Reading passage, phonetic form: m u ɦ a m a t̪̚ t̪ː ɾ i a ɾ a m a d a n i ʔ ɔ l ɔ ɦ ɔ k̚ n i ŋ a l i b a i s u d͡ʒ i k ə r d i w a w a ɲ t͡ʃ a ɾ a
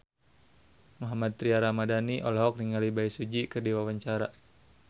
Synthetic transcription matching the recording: m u ɦ a m a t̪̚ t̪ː ɾ i a ɾ a m a d a n i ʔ ɔ l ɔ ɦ ɔ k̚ n i ŋ a l i b a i s u d͡ʒ i k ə r d i w a w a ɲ t͡ʃ a ɾ a